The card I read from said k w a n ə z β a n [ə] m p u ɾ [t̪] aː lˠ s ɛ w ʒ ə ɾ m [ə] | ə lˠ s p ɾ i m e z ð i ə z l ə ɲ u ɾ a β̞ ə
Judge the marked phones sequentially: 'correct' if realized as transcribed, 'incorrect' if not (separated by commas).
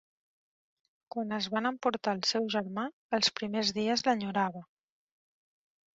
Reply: correct, correct, incorrect